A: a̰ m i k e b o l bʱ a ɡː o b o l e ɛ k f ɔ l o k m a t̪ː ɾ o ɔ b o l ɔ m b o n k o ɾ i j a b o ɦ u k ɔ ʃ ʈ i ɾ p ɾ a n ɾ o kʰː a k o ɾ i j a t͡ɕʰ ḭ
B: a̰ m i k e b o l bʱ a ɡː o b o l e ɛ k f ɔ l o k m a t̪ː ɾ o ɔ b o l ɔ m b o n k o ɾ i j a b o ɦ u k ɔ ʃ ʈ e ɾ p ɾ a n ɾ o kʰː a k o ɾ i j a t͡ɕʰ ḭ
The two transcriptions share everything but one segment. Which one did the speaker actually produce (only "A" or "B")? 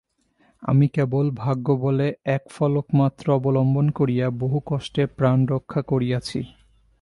B